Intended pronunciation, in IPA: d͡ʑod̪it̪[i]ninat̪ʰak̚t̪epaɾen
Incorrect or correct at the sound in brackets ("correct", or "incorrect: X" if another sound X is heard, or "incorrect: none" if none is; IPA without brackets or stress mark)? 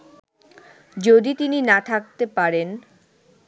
correct